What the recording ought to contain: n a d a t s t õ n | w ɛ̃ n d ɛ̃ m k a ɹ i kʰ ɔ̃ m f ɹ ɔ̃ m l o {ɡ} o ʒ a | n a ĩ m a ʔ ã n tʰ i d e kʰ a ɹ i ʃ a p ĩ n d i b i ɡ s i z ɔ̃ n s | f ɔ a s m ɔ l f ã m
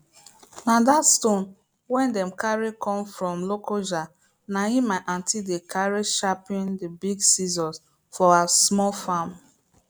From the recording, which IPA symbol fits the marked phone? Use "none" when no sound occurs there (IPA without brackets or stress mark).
k